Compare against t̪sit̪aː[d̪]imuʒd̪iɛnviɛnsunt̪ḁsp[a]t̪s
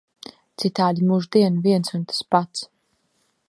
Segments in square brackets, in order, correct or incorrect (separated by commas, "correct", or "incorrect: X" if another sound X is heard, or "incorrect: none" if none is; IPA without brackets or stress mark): correct, correct